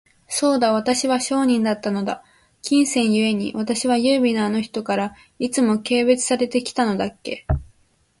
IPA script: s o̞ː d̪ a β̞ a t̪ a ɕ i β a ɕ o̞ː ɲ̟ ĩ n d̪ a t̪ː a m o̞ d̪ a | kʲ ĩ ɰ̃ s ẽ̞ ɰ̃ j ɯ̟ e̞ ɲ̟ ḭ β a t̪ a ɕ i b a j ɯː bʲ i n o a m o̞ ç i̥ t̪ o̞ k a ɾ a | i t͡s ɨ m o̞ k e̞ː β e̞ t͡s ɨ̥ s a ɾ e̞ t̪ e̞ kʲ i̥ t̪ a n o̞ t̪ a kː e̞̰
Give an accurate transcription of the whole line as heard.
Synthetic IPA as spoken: s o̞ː d̪ a β̞ a t̪ a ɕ i β a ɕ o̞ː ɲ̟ ĩ n d̪ a t̪ː a n o̞ d̪ a | kʲ ĩ ɰ̃ s ẽ̞ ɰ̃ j ɯ̟ e̞ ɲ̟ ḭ β a t̪ a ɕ i β a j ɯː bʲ i n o a n o̞ ç i̥ t̪ o̞ k a ɾ a | i t͡s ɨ m o̞ k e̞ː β e̞ t͡s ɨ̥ s a ɾ e̞ t̪ e̞ kʲ i̥ t̪ a n o̞ d̪ a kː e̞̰